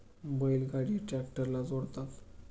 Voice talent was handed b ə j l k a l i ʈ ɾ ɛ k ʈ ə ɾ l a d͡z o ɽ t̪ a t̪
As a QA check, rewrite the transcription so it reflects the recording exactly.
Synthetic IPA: b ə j l ɡ a ɽ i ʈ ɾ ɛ k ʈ ə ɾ l a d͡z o ɽ t̪ a t̪